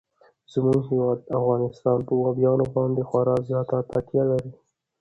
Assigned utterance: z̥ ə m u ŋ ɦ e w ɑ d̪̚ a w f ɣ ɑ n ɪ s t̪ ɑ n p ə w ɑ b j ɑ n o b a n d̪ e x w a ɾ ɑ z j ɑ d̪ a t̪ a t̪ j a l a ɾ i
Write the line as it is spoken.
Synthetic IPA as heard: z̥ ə m u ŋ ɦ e w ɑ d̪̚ a f ɣ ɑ n ɪ s t̪ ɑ n p ə w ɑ b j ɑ n o b ɑ n d̪ e x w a ɾ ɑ z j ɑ t̪ a t̪ a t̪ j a l a ɾ i